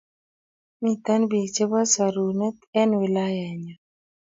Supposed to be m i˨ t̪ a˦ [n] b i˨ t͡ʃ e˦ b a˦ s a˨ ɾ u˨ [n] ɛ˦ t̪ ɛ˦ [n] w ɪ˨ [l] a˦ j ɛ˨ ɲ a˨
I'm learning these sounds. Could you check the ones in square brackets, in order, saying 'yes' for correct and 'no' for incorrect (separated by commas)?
yes, yes, yes, yes